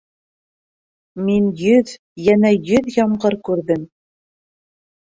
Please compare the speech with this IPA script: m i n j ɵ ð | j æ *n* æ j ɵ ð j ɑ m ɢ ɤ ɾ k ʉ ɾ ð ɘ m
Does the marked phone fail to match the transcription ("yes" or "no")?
no